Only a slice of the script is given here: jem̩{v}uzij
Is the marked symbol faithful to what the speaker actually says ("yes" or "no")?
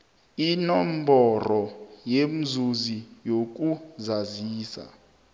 no